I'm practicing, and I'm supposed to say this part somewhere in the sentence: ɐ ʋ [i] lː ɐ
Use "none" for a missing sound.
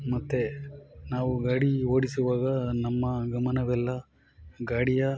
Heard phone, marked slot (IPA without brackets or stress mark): ɛ